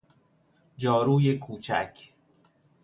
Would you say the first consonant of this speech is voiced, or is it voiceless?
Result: voiced